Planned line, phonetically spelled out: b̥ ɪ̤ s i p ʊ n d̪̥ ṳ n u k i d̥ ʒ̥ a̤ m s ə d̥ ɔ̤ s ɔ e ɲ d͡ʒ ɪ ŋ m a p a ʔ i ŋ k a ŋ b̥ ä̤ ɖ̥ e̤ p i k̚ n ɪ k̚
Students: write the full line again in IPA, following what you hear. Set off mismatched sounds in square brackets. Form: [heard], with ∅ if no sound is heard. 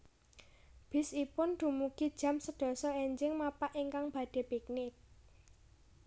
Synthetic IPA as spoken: b̥ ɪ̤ s i p ʊ n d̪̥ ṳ [m] u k i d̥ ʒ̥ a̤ m s ə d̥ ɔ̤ s ɔ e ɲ d͡ʒ ɪ ŋ m a p a ʔ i ŋ k a ŋ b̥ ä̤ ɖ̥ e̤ p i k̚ n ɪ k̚